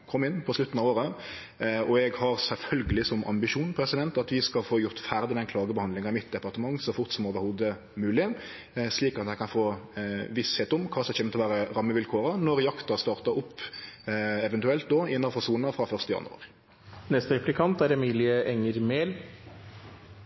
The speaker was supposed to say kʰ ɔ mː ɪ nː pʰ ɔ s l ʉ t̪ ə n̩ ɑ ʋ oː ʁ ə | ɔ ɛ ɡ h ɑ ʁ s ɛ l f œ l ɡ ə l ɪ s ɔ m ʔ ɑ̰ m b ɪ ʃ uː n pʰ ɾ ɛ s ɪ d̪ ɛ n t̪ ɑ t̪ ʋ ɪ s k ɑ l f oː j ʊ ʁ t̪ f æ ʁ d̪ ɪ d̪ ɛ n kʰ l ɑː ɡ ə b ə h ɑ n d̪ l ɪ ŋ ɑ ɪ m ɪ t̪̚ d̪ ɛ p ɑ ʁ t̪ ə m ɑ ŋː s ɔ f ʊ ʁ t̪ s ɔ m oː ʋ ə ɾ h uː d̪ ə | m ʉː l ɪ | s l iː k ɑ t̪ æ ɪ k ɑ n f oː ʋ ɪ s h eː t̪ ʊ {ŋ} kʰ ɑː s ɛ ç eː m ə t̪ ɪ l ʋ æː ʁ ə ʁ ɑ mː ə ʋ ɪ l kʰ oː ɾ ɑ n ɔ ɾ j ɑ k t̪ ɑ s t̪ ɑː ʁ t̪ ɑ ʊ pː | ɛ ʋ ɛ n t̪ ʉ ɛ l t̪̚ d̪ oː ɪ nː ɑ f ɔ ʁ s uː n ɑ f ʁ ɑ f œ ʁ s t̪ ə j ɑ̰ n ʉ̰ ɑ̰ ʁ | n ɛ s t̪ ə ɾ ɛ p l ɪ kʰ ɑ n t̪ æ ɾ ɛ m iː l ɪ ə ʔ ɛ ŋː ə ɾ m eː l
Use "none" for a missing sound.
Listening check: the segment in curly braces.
m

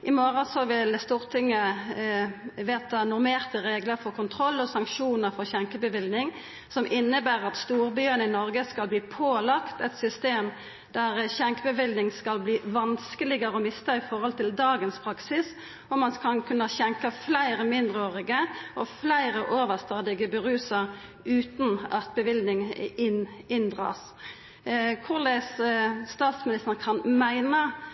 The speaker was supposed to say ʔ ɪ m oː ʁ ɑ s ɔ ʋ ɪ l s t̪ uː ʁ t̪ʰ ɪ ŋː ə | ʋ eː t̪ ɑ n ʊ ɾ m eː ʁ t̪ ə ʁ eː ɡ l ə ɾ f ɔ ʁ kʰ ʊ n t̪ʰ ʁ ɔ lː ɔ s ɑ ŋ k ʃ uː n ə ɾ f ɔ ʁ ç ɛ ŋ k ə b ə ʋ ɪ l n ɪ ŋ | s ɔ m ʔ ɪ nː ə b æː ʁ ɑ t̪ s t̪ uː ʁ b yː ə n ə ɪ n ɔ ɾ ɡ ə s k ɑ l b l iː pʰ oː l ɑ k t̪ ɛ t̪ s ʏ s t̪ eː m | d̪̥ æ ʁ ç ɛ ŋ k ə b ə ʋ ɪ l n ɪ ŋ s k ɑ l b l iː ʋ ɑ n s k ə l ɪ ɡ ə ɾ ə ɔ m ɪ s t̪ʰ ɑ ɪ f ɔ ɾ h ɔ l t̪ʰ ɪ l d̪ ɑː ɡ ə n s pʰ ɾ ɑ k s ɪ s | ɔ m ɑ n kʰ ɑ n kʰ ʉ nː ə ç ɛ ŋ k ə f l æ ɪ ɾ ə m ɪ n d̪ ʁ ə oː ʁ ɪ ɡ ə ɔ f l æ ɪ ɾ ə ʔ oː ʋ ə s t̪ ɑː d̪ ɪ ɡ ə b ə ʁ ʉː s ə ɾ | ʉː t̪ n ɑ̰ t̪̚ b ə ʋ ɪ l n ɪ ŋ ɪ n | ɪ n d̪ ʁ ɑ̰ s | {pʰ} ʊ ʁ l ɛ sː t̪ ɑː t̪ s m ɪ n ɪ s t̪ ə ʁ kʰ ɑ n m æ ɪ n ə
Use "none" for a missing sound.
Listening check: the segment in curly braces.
kʰ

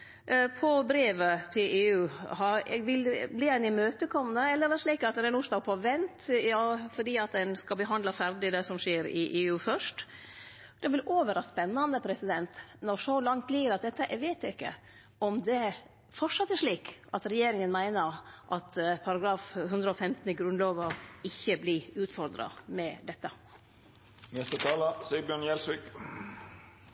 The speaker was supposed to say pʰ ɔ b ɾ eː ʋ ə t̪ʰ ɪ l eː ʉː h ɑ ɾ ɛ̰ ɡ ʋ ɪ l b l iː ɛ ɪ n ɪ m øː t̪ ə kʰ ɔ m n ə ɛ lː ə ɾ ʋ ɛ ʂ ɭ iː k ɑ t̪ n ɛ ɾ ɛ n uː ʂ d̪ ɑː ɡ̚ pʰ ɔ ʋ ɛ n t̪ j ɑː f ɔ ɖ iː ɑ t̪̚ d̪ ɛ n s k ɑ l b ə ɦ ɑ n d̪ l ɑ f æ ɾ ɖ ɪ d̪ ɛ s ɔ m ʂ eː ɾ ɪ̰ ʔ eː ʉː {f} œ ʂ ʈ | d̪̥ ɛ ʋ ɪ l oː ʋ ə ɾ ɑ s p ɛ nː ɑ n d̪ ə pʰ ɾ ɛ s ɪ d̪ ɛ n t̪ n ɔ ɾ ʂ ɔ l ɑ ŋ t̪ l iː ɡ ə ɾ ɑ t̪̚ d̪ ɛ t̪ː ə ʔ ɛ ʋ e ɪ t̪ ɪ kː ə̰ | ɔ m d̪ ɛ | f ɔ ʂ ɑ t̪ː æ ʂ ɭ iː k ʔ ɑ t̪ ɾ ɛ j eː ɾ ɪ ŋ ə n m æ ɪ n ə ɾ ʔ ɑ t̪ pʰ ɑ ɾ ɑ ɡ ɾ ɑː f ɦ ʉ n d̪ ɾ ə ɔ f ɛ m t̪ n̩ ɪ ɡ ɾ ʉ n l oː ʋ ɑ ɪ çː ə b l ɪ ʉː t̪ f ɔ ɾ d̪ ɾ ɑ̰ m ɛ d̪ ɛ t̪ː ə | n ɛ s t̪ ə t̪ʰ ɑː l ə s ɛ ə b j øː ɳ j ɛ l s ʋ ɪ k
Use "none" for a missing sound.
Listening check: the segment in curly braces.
f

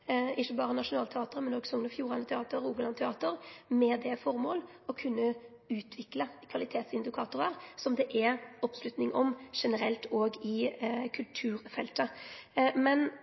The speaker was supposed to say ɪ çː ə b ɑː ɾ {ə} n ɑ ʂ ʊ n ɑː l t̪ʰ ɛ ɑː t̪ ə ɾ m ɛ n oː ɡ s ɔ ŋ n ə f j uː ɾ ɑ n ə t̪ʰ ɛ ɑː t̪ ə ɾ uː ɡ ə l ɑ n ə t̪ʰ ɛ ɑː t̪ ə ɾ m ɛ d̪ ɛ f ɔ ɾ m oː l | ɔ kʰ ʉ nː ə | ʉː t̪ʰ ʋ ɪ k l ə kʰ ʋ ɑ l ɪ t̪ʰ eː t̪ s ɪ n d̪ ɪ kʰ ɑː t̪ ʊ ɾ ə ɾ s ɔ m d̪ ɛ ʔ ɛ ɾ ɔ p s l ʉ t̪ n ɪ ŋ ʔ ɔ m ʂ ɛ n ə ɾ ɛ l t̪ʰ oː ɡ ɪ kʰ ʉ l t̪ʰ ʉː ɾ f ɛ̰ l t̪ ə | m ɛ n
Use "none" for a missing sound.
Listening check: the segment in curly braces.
ə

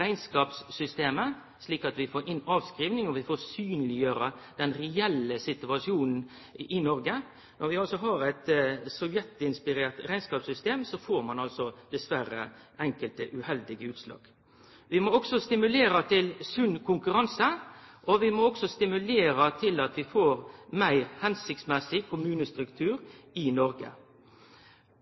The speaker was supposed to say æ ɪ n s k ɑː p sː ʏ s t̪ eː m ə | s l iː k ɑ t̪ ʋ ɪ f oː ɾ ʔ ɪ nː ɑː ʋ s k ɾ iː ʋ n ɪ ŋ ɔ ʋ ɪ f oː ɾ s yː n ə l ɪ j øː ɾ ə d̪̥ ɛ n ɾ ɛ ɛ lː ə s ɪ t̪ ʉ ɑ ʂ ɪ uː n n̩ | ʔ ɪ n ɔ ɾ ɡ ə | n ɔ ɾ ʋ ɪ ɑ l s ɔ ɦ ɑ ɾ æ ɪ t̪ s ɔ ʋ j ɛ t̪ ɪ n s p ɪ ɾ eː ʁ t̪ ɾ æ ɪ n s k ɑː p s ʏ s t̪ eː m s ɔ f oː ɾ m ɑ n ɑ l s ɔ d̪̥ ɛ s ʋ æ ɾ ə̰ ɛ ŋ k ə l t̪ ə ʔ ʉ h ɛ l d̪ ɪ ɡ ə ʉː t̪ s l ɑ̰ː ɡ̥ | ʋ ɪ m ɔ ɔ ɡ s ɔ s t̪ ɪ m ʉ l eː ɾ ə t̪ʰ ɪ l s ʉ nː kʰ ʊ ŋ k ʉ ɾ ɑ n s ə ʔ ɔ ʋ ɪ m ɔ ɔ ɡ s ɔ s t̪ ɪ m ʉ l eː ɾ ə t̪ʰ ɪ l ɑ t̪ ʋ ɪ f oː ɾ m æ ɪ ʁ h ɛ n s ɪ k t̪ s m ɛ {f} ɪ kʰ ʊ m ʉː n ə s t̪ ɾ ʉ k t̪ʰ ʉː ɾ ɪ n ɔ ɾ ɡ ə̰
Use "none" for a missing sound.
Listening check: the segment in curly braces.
s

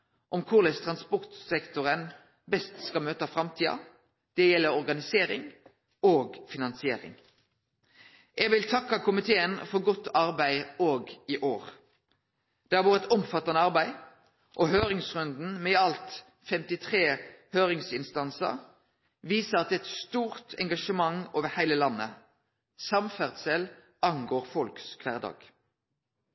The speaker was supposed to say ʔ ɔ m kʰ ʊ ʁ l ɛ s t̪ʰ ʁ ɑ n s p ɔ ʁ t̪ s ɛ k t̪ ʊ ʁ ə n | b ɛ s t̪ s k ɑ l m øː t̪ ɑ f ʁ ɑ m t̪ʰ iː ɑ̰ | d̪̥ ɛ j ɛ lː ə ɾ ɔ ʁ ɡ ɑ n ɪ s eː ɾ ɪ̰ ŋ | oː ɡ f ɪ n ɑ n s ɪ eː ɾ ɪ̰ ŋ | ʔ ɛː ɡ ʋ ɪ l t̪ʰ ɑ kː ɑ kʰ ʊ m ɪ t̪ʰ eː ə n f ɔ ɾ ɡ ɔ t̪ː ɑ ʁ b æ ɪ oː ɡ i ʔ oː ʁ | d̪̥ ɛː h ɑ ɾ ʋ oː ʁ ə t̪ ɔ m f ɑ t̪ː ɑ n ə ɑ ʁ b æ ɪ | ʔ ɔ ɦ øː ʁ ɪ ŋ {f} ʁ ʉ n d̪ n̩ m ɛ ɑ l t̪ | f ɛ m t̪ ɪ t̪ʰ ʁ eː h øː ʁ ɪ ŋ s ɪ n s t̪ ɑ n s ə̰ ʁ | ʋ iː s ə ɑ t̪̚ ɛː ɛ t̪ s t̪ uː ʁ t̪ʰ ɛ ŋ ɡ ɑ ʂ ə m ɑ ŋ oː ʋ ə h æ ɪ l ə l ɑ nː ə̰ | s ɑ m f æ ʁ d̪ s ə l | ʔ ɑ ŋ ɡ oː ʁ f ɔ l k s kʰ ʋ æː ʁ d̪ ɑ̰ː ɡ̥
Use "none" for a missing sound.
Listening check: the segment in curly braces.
s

